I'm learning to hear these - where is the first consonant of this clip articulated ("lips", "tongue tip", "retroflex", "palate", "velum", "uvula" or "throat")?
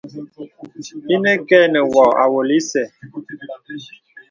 tongue tip